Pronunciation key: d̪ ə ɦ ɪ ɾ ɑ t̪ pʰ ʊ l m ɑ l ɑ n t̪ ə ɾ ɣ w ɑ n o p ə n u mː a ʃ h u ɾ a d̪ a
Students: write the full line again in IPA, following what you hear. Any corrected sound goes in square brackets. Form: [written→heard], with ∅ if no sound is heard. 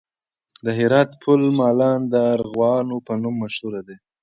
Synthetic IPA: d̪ ə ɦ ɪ ɾ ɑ t̪ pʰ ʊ l m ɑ l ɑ n [t̪→d̪] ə ɾ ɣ w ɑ n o p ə n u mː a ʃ h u ɾ a d̪ [a→e]

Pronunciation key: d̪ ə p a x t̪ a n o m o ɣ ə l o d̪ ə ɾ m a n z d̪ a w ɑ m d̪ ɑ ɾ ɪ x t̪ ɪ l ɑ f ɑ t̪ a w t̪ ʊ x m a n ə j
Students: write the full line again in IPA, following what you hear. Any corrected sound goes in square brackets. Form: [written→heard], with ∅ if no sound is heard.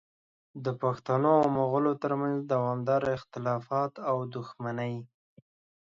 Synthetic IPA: d̪ ə p a x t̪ a n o m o ɣ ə l o [d̪→t̪] ə ɾ m a n z d̪ a w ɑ m d̪ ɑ ɾ ɪ x t̪ ɪ l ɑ f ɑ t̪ a w [t̪→d̪] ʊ x m a n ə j

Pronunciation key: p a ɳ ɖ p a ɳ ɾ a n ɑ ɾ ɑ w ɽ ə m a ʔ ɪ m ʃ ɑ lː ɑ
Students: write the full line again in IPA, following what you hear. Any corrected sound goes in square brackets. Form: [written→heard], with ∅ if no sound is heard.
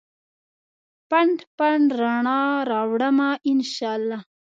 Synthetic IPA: p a ɳ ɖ p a ɳ ɾ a [n→ɳ] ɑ ɾ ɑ w ɽ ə m a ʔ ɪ [m→n] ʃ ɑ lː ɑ

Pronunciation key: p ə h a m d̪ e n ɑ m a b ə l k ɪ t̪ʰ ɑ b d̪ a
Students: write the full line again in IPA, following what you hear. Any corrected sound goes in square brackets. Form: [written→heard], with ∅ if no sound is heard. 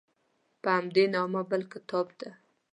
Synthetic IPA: p ə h a m d̪ e n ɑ m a b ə l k ɪ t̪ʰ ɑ b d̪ a

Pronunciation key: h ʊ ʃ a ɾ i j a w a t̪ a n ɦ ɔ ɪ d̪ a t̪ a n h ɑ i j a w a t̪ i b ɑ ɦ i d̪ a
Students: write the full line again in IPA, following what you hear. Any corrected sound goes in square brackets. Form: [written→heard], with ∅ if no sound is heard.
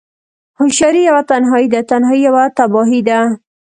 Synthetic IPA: h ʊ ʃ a ɾ i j a w a t̪ a n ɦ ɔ [ɪ→i] d̪ a t̪ a n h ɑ i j a w a t̪ [i→a] b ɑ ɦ i d̪ a

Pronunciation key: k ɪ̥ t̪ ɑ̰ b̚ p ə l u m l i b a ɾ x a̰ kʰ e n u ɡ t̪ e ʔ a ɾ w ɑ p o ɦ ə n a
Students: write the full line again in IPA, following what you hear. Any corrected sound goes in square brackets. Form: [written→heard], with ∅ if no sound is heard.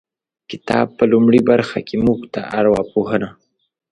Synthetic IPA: k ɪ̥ t̪ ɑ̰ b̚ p ə l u m [l→ɽ] i b a ɾ x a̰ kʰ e [n→m] u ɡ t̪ [e→a] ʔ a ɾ w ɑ p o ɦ ə n a

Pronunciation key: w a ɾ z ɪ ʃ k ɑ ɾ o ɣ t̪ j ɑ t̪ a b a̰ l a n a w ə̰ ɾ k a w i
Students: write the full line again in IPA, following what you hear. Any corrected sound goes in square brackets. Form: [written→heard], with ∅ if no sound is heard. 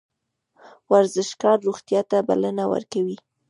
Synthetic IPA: w a ɾ z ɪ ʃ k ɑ [ɾ→ɾː] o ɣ t̪ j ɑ t̪ a b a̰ l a n a w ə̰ ɾ k a w i

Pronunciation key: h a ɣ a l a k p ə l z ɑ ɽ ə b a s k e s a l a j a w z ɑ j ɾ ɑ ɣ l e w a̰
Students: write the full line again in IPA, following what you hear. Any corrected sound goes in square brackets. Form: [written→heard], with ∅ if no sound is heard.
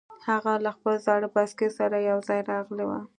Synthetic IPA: h a ɣ a l a [k→x] p ə l z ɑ ɽ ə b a s k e s a [l→ɾ] a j a w z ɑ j ɾ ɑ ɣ l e w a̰

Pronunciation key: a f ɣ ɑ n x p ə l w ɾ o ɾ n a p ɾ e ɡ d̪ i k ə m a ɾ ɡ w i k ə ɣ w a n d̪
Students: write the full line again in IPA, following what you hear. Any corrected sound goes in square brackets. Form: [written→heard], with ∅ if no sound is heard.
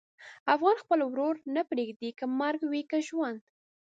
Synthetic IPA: a f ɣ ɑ n x p ə l w ɾ o ɾ n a p ɾ e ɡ d̪ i k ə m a ɾ ɡ w i k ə [ɣ→ʒ] w a n d̪

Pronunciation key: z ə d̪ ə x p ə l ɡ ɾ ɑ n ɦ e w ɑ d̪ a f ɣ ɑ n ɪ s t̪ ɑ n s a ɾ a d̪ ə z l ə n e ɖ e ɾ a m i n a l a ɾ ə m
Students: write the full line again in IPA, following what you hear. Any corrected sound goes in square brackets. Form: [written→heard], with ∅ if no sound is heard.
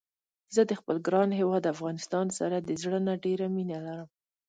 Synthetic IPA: z ə d̪ ə x p ə l ɡ ɾ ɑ n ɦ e w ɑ d̪ a f ɣ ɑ n ɪ s t̪ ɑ n s a ɾ a d̪ ə z [l→ɽ] ə n [e→a] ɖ e ɾ a m i n a l a ɾ ə m

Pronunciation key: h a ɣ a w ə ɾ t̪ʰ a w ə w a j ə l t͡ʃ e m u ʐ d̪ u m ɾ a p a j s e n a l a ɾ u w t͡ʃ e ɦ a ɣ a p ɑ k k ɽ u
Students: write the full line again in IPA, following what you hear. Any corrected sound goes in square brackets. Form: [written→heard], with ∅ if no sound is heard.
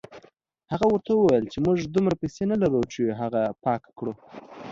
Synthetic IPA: h a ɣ a w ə ɾ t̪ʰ a w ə w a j ə l t͡ʃ e m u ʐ d̪ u m ɾ a p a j s e n a l a ɾ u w t͡ʃ e ɦ a ɣ a p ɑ k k ɽ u

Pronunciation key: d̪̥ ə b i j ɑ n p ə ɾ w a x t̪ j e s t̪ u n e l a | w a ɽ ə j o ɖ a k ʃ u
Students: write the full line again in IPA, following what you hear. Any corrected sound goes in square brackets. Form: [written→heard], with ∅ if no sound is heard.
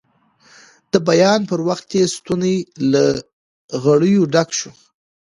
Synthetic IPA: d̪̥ ə b [i→a] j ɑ n p ə ɾ w a x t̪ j e s t̪ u n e l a | [w→ɣ] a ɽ ə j o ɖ a k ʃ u

